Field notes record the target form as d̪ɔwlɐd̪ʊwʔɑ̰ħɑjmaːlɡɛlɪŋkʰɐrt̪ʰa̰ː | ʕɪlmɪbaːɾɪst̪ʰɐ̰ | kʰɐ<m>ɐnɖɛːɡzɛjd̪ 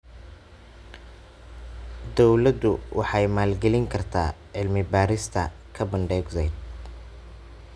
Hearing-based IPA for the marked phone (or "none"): b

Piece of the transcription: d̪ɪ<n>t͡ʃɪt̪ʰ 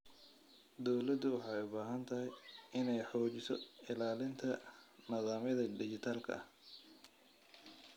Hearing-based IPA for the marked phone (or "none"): none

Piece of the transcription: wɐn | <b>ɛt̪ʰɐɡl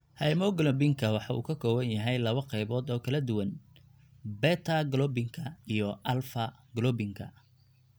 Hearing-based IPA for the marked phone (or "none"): b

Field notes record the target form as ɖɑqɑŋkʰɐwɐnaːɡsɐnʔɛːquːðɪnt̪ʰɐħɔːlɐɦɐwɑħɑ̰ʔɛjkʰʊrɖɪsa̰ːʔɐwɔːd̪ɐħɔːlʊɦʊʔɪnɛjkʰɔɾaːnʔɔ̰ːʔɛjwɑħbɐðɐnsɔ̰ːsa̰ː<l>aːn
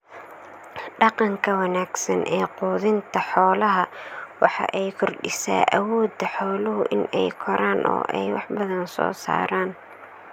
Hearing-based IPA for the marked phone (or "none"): ɾ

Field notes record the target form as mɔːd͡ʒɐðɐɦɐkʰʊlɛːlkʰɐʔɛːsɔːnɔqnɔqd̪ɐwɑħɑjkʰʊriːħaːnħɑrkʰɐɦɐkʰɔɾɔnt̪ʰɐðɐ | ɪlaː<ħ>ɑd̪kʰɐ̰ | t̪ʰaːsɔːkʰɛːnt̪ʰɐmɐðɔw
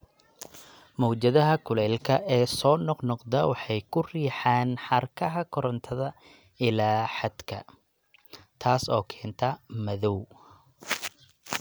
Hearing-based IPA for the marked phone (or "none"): ħ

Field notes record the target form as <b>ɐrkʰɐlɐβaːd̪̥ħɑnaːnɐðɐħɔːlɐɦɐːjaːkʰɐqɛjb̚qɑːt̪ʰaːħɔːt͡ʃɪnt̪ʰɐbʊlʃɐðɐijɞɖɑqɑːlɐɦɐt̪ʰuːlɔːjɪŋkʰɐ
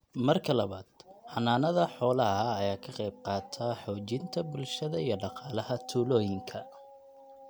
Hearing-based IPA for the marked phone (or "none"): m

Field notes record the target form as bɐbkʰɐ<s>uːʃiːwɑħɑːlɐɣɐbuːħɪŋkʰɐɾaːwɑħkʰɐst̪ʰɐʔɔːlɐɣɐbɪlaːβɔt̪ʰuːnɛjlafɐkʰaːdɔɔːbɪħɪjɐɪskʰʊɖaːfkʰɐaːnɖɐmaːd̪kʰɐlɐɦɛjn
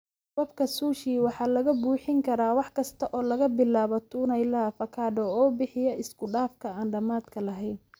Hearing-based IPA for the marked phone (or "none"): s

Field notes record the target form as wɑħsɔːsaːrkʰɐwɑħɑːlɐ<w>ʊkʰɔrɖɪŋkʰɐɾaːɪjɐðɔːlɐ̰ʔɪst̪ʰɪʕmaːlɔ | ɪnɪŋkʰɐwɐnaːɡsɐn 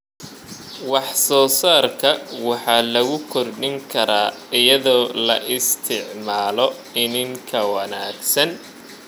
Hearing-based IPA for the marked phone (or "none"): ɣ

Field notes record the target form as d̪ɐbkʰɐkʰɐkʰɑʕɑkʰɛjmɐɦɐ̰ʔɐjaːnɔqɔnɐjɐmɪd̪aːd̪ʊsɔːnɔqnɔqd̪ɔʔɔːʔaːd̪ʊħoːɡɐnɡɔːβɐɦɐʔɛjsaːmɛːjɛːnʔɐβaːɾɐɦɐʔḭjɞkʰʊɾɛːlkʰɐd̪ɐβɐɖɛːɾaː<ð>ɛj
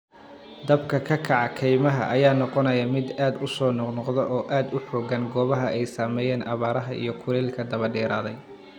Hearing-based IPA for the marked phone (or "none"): ð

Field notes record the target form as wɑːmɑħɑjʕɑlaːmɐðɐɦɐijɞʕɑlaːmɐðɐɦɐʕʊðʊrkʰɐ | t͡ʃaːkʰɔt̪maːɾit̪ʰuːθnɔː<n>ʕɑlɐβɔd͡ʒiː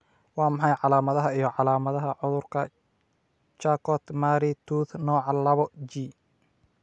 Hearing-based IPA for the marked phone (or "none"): none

